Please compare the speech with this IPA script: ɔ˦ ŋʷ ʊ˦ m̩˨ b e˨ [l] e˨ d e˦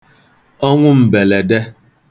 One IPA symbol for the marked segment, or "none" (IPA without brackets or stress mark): l